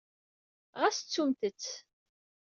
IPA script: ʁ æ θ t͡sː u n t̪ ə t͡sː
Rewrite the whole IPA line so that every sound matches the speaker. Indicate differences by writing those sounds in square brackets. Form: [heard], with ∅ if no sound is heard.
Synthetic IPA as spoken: ʁ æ [s] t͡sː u [m] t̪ ə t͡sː